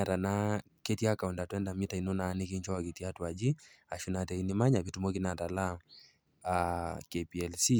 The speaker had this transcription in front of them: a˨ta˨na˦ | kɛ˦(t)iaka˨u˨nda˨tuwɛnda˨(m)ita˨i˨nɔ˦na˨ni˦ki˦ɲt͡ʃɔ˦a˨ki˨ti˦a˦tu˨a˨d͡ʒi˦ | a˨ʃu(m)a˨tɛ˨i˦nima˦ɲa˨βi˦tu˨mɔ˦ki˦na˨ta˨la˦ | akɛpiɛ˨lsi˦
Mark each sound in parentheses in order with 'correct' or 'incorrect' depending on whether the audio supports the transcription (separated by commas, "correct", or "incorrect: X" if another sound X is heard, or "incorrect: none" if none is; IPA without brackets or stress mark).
correct, correct, incorrect: n